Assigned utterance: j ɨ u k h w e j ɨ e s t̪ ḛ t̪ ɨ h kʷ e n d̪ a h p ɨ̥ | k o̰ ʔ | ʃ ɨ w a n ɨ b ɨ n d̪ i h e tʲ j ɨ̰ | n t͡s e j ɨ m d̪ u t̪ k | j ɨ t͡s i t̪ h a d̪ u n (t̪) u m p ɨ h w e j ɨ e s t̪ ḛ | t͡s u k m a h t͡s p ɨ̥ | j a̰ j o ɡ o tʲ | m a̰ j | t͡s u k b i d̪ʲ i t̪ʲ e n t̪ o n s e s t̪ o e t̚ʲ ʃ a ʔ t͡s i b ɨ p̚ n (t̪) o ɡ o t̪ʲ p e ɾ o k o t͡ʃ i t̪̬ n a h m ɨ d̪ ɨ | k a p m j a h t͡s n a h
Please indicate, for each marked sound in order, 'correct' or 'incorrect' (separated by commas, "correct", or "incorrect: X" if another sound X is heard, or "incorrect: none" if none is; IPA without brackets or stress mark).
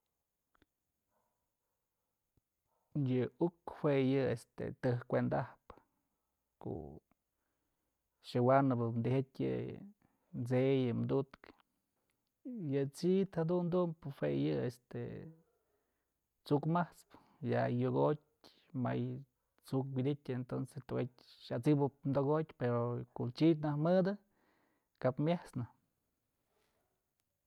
incorrect: d̪, incorrect: d̪